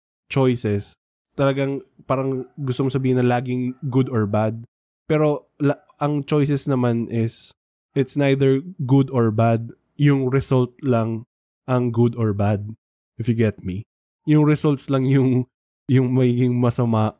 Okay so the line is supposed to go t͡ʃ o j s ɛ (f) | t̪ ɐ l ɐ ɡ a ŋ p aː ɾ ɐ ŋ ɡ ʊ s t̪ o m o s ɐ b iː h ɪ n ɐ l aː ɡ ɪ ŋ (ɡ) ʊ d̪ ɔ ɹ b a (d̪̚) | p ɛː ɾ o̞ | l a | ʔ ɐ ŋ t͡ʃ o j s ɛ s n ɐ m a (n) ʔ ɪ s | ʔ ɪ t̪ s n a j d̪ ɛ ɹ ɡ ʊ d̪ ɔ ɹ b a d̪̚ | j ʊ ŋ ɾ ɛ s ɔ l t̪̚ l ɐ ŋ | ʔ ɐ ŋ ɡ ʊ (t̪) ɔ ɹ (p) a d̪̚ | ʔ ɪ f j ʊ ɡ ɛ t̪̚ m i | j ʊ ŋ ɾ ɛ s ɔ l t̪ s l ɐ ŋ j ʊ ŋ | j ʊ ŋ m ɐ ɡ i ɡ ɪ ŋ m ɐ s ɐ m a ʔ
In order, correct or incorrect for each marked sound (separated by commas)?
incorrect, correct, correct, correct, incorrect, incorrect